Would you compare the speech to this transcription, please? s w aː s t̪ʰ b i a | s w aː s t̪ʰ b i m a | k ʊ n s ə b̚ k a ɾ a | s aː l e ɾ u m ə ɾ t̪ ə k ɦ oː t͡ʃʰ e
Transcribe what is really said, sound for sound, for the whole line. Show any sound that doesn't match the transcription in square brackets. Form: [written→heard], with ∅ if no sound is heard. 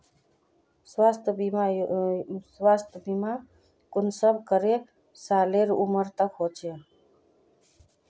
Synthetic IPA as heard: s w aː s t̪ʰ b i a | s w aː s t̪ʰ b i m a | k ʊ n s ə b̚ k [a→ə] ɾ [a→e] | s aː l e ɾ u m ə ɾ t̪ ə k ɦ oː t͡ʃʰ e

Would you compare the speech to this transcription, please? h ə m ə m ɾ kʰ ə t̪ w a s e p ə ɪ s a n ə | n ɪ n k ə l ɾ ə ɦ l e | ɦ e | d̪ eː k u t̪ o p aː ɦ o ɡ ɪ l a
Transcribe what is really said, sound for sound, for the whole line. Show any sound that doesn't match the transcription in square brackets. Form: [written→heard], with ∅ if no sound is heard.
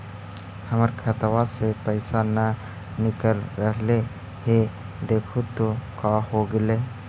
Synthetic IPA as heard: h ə m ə [m→∅] ɾ kʰ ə t̪ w a s e p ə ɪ s a n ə | n ɪ [n→∅] k ə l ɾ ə ɦ l e | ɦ e | d̪ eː [k→kʰ] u t̪ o [p→k] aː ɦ o ɡ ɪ l [a→e]

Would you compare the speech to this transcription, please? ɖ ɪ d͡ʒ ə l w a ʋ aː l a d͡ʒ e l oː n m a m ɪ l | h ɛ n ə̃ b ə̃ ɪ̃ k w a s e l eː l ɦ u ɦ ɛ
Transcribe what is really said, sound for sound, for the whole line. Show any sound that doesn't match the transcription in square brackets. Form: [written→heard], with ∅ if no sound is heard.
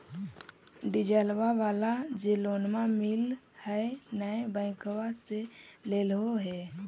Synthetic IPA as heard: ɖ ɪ d͡ʒ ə l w a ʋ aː l a d͡ʒ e l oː n m a m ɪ l | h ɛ n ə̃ b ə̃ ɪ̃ k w a s e l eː l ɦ [u→o] ɦ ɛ

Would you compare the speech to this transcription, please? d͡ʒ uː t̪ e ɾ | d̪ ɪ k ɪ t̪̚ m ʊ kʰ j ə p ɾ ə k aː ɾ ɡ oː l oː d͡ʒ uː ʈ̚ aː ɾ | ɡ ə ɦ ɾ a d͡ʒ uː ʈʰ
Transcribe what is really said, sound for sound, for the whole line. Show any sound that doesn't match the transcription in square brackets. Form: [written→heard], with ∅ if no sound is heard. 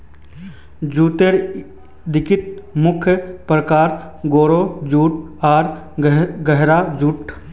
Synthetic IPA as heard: d͡ʒ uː t̪ e ɾ | d̪ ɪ k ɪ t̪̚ m ʊ kʰ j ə p ɾ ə k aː ɾ ɡ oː [l→ɾ] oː d͡ʒ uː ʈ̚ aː ɾ | ɡ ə ɦ ɾ a d͡ʒ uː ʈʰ

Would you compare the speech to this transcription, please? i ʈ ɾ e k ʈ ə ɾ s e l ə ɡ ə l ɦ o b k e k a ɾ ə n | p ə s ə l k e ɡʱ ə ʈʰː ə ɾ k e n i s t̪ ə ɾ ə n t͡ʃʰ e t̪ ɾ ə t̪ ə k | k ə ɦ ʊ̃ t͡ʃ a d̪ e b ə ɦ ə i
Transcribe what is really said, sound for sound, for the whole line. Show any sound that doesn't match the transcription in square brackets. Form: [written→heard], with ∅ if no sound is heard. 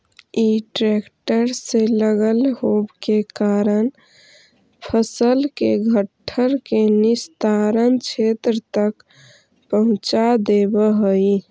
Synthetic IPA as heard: i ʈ ɾ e k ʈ ə ɾ s e l ə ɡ ə l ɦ o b k e k a ɾ ə n | [p→pʰ] ə s ə l k e ɡʱ ə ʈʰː ə ɾ k e n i s t̪ [ə→a] ɾ ə n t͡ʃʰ e t̪ ɾ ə t̪ ə k | [k→p] ə ɦ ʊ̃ t͡ʃ a d̪ e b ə ɦ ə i

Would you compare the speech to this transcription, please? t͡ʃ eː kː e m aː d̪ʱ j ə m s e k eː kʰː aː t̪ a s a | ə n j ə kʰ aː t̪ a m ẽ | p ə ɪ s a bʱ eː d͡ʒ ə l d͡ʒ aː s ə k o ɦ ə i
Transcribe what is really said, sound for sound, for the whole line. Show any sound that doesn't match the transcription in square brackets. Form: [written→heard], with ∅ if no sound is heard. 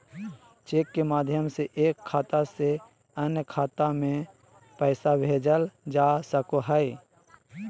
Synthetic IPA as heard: t͡ʃ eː kː e m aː d̪ʱ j ə m s e [k→ʔ] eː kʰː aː t̪ a s [a→e] | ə n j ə kʰ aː t̪ a m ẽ | p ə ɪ s a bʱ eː d͡ʒ ə l d͡ʒ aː s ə k o ɦ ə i

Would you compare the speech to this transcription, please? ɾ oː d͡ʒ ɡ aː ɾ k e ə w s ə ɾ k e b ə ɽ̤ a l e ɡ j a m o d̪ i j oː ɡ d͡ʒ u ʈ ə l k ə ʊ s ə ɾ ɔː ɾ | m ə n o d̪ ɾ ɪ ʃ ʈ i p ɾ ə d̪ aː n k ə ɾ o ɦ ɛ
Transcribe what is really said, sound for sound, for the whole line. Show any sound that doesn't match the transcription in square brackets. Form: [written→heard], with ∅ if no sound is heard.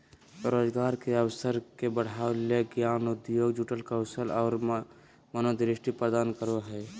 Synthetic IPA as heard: ɾ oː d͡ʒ ɡ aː ɾ k e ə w s ə ɾ k e b ə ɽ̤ a l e ɡ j a [m→n] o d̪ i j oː ɡ d͡ʒ u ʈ ə l k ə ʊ s ə [ɾ→l] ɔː ɾ | m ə n o d̪ ɾ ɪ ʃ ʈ i p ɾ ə d̪ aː n k ə ɾ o ɦ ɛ

